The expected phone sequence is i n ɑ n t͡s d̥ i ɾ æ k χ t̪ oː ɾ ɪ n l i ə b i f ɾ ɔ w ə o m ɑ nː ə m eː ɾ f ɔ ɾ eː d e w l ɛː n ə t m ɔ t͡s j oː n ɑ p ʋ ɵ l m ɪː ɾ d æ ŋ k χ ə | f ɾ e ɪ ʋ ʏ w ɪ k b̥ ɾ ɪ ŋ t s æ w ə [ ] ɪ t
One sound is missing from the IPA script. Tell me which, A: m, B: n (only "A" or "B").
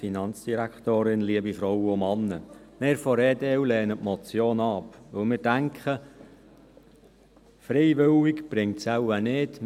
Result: B